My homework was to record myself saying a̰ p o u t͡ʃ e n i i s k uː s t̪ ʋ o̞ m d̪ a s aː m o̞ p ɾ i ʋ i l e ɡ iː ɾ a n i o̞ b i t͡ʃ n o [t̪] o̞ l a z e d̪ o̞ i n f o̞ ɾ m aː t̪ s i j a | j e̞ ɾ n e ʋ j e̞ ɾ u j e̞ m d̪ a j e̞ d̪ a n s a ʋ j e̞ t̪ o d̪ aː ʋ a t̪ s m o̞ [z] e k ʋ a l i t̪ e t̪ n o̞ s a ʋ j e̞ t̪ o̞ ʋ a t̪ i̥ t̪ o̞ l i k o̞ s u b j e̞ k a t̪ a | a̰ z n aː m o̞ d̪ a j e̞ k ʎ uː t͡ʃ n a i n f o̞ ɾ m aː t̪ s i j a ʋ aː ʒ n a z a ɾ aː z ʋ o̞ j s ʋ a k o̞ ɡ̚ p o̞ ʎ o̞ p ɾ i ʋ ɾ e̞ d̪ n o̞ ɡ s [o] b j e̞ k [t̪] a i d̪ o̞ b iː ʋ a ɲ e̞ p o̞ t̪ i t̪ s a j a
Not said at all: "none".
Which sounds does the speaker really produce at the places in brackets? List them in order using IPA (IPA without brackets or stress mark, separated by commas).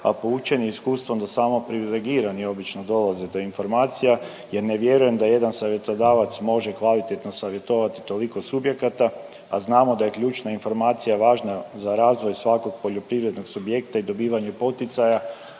d̪, ʒ, u, t̪